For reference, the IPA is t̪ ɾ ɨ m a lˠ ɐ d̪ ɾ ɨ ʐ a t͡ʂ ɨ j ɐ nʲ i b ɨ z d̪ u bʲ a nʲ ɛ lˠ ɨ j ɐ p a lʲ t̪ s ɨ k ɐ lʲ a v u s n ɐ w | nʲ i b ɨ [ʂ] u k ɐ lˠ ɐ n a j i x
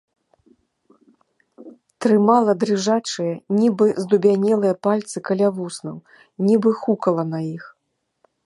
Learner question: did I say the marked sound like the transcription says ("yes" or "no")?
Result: no